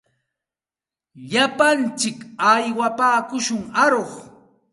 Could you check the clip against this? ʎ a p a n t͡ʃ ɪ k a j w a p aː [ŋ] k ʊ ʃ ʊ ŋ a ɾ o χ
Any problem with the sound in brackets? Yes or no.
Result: yes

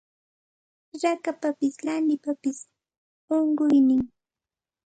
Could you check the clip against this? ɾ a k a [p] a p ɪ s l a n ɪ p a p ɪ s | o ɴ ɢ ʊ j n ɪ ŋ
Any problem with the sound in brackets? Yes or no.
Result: no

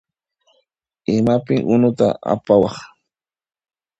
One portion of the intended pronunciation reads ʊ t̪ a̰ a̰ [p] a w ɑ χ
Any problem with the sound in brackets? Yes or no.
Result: no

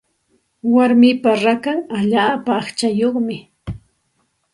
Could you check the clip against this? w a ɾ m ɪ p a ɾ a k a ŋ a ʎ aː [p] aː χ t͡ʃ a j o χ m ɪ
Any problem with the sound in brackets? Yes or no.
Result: no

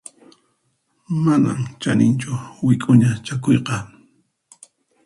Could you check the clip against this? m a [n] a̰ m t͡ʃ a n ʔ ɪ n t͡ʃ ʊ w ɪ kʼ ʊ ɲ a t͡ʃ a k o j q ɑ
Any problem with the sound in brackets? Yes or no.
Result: no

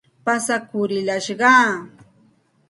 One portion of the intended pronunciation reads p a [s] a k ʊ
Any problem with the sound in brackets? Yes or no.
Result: no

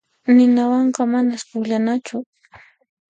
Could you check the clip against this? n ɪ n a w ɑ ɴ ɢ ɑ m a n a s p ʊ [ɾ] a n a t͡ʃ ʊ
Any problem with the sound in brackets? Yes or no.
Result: yes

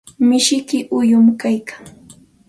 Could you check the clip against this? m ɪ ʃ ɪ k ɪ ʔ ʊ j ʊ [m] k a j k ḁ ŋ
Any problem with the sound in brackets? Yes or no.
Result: no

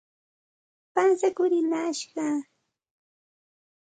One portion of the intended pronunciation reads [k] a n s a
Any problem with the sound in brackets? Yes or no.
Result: yes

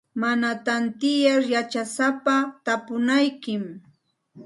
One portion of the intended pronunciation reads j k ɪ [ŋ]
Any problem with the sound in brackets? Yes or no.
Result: yes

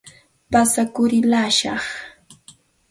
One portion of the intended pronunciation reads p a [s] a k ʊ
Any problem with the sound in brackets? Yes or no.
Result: no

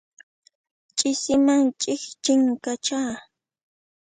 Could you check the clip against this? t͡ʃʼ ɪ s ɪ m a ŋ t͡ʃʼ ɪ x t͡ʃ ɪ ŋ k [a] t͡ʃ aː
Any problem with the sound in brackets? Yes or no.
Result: no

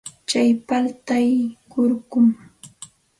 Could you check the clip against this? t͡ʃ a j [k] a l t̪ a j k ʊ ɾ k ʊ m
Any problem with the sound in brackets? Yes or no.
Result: yes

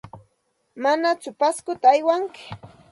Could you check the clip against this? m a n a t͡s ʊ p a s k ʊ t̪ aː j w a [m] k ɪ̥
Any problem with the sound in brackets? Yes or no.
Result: yes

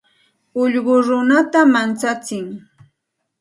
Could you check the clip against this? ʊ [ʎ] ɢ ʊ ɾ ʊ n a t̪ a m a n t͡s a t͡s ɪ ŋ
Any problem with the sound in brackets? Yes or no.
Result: no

